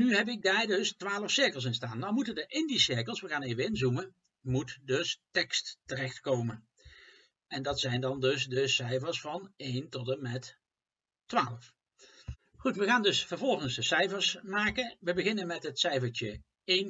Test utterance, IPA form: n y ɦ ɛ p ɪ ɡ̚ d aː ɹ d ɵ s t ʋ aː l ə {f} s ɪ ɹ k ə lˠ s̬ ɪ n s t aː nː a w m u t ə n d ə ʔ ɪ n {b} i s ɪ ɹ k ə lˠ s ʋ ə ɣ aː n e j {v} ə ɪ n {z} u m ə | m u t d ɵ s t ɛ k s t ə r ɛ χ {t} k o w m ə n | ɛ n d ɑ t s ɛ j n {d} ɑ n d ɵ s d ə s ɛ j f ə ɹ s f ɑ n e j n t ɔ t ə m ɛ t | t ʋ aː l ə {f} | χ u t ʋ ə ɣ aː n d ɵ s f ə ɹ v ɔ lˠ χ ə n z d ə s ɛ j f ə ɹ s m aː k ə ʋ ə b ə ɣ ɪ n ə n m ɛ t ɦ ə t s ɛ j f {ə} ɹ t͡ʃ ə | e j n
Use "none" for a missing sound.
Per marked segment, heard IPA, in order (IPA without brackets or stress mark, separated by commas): f, d, v, z, t, d, f, ə